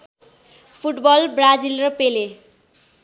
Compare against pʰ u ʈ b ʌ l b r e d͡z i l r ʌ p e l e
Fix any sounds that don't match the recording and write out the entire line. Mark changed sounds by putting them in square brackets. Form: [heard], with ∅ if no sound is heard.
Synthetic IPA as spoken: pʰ u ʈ b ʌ l b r [a] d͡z i l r ʌ p e l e